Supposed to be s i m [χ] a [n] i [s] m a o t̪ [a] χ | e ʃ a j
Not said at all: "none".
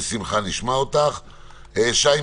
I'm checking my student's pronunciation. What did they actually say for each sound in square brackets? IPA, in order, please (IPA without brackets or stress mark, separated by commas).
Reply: χ, n, ʃ, a